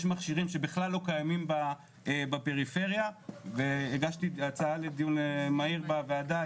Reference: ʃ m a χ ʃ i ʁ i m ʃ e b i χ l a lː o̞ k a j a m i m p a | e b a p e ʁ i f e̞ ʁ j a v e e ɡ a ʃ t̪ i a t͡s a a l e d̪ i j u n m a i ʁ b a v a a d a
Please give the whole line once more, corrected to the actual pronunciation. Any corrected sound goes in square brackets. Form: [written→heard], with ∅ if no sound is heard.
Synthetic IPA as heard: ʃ m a χ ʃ i ʁ i m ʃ e b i χ l a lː o̞ k a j a m i m [p→b] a | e b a p e ʁ i f e̞ ʁ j a v e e ɡ a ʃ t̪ i a t͡s a a l e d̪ i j u n m a i ʁ b a v [a→e] a d a